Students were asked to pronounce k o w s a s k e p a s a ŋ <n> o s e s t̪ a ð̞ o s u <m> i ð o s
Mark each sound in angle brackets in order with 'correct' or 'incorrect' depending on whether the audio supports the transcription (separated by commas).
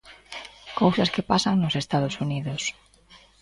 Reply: correct, incorrect